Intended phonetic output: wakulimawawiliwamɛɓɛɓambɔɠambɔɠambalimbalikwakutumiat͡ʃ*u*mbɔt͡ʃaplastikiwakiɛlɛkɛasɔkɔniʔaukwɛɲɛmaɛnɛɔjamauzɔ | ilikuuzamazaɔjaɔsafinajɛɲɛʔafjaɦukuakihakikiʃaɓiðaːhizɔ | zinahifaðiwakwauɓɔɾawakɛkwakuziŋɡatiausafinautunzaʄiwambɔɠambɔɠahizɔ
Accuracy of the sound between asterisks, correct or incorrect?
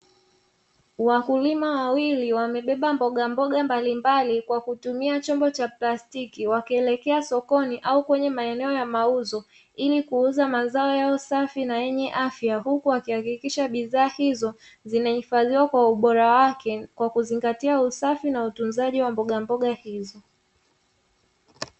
incorrect